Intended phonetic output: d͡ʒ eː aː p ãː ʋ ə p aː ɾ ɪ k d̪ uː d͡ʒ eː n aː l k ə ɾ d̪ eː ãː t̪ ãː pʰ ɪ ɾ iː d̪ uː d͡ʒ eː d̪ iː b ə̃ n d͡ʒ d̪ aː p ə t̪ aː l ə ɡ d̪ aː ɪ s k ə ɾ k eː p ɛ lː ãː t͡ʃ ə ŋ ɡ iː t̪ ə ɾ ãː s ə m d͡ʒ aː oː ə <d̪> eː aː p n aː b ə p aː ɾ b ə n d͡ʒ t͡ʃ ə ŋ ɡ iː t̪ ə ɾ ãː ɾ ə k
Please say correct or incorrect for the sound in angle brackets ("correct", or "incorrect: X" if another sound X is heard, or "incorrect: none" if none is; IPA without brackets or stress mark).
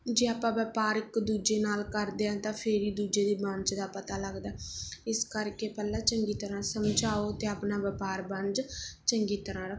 incorrect: t̪